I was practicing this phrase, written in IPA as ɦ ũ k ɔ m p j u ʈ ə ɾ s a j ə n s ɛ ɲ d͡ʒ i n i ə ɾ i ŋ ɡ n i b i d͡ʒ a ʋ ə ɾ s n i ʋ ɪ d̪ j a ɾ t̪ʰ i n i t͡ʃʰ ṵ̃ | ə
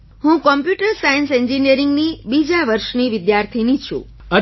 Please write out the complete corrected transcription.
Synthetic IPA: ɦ ũ k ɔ m p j u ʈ ə ɾ s a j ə n s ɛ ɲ d͡ʒ i n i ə ɾ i ŋ ɡ n i b i d͡ʒ a ʋ ə ɾ ʃ n i ʋ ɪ d̪ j a ɾ t̪ʰ i n i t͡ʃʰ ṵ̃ | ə

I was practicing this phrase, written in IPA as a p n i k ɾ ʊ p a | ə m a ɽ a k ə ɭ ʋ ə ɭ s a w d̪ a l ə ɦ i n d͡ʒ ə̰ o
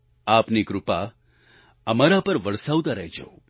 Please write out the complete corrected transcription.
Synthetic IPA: a p n i k ɾ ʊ p a | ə m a ɾ a p ə ɾ ʋ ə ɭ s a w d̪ a ɾ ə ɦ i d͡ʒ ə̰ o

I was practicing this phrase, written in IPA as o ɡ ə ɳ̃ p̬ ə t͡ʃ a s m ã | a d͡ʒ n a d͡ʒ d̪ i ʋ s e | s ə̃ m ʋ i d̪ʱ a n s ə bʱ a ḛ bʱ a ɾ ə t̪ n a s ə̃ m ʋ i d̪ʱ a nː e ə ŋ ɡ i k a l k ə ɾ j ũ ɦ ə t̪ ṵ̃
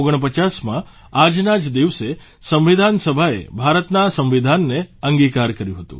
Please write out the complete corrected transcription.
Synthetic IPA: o ɡ ə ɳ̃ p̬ ə t͡ʃ a s m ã | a d͡ʒ n a d͡ʒ d̪ i ʋ s e | s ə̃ m ʋ i d̪ʱ a n s ə bʱ a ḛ bʱ a ɾ ə t̪ n a s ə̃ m ʋ i d̪ʱ a nː e ə ŋ ɡ i k a ɾ k ə ɾ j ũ ɦ ə t̪ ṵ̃

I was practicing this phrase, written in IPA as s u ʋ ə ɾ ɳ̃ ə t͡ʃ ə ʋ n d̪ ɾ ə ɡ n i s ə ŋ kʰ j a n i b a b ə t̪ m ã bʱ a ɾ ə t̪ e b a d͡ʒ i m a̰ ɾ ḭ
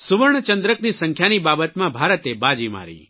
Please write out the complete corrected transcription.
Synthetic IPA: s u ʋ ə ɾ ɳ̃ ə t͡ʃ ə n d̪ ɾ ə k n i s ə ŋ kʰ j a n i b a b ə t̪ m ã bʱ a ɾ ə t̪ e b a d͡ʒ i m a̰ ɾ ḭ

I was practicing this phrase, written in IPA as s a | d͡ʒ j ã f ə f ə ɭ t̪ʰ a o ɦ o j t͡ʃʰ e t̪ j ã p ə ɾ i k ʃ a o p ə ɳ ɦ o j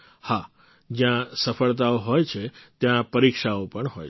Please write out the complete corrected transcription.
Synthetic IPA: h a | d͡ʒ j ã s ə f ə ɭ t̪ a o ɦ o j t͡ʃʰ e t̪ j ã p ə ɾ i k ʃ a o p ə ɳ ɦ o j

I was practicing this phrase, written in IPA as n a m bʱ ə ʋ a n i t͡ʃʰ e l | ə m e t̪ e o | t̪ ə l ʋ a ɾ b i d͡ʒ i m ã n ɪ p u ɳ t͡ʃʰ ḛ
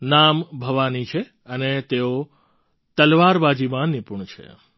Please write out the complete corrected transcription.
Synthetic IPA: n a m bʱ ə ʋ a n i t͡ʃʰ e | ə n e t̪ e o | t̪ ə l ʋ a ɾ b a d͡ʒ i m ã n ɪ p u ɳ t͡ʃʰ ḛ

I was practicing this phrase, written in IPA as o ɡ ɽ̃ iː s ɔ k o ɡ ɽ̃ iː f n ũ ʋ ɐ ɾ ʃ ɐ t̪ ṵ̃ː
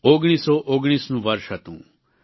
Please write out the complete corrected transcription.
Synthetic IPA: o ɡ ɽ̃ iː s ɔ ʔ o ɡ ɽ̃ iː s n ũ ʋ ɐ ɾ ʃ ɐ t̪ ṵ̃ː

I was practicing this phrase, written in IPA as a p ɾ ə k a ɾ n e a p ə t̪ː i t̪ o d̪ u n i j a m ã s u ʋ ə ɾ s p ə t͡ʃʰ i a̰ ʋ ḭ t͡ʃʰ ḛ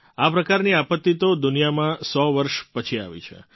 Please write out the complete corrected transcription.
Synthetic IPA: a p ɾ ə k a ɾ n i a p ə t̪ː i t̪ o d̪ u n i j a m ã s ɔ ʋ ə ɾ ʃ p ə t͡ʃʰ i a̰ ʋ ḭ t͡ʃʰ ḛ

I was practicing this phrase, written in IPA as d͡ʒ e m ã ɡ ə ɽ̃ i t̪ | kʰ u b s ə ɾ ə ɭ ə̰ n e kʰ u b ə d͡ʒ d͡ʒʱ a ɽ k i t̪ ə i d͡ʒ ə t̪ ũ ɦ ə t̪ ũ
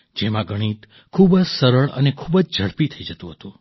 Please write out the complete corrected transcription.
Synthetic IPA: d͡ʒ e m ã ɡ ə ɽ̃ i t̪ | kʰ u b s ə ɾ ə ɭ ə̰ n e kʰ u b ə d͡ʒ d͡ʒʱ ə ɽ p i t̪ʰ ə i d͡ʒ ə t̪ ũ ɦ ə t̪ ũ

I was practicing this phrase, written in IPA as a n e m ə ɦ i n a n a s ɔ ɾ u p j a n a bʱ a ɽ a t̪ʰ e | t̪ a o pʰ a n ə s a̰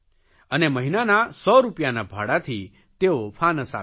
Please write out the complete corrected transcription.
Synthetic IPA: ə n e m ə ɦ i n a n a s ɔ ɾ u p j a n a bʱ a ɽ a t̪ʰ i | t̪ e o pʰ a n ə s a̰

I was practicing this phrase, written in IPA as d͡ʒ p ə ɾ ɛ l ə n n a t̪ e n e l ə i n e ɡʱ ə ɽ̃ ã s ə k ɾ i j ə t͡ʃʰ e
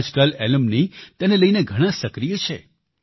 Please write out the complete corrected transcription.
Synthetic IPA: d͡ʒ k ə l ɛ l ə m n i t̪ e n e l ə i n e ɡʱ ə ɽ̃ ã s ə k ɾ i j ə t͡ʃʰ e

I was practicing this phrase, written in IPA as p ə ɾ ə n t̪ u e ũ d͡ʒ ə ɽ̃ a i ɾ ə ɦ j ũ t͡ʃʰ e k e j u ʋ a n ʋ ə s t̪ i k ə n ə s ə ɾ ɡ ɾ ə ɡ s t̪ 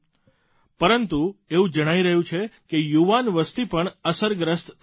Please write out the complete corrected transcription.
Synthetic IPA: p ə ɾ ə n t̪ u e ũ d͡ʒ ə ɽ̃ a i ɾ ə ɦ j ũ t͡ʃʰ e k e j u ʋ a n ʋ ə s t̪ i p ə ɳ ə s ə ɾ ɡ ɾ ə s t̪

